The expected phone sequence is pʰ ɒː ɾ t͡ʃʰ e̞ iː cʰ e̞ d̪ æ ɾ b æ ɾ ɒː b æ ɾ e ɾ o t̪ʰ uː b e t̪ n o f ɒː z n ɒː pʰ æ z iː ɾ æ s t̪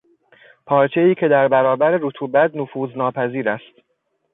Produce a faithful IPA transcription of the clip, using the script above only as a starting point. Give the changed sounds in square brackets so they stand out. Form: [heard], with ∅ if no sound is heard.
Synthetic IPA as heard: pʰ ɒː ɾ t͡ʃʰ e̞ iː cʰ e̞ d̪ æ ɾ b æ ɾ ɒː b æ ɾ e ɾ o t̪ʰ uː b [æ] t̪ n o f [uː] z n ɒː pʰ æ z iː ɾ æ s t̪